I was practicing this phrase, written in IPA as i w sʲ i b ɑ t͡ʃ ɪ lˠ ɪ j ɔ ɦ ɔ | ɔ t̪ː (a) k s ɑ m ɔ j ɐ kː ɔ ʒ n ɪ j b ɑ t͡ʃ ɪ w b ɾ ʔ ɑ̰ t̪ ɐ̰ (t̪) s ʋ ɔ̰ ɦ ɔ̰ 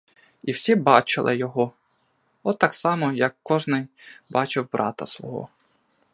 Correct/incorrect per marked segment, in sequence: incorrect: ɑ, incorrect: none

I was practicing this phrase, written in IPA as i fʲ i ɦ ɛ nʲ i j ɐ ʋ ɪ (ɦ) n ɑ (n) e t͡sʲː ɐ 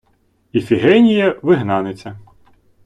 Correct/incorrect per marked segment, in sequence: correct, correct

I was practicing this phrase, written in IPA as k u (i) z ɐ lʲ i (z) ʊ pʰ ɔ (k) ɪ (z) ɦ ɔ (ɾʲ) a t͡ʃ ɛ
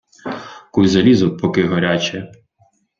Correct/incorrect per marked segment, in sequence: incorrect: j, correct, correct, incorrect: none, correct

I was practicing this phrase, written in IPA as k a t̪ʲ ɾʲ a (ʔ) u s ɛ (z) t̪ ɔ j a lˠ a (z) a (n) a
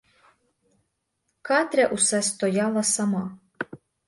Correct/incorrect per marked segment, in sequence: correct, incorrect: s, incorrect: s, incorrect: m

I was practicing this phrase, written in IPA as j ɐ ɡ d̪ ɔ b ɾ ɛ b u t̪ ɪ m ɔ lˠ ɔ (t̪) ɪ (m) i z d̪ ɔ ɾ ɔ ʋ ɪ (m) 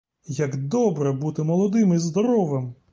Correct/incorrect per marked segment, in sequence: incorrect: d̪, correct, correct

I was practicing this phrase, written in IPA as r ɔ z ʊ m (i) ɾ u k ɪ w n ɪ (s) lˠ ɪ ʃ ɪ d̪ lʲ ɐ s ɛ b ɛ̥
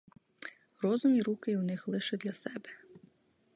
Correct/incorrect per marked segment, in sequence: correct, incorrect: x

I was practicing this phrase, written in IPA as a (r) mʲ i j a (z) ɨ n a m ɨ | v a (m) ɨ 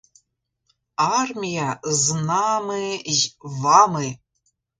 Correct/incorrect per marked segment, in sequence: correct, correct, correct

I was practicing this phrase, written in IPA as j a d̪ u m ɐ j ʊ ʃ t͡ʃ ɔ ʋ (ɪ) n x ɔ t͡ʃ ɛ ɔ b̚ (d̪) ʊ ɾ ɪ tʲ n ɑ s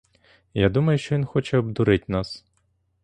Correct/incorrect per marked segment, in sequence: incorrect: i, correct

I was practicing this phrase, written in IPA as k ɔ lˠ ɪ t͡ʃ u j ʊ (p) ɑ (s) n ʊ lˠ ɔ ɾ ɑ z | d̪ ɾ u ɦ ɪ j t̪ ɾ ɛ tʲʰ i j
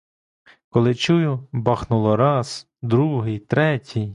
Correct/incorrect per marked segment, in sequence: incorrect: b, incorrect: x

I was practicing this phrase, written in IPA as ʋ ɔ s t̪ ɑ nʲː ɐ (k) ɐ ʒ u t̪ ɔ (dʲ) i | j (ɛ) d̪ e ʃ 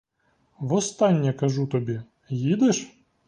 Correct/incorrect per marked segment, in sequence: correct, incorrect: bʲ, incorrect: i

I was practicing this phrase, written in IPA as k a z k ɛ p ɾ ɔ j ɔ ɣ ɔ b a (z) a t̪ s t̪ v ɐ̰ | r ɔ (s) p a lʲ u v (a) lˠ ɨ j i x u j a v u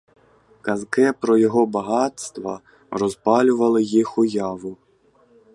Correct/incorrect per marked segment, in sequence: incorrect: ɣ, incorrect: z, incorrect: ɐ

